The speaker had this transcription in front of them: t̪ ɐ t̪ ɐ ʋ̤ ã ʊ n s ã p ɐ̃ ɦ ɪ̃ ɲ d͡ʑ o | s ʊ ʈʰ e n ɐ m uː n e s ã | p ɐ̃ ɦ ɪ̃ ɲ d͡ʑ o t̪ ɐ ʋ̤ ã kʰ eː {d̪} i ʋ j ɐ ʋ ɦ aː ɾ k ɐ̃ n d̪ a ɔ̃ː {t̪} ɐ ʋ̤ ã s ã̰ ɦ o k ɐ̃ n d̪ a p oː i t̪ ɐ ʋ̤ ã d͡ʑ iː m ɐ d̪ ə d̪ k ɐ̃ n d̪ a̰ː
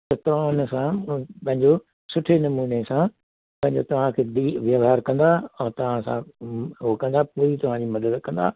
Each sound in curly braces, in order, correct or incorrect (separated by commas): correct, correct